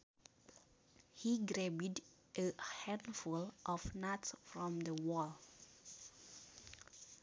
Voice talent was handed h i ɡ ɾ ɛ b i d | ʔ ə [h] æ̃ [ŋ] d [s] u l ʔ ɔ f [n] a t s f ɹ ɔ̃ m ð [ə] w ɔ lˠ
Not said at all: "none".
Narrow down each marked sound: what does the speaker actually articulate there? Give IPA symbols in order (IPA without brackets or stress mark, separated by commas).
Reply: h, n, f, n, ə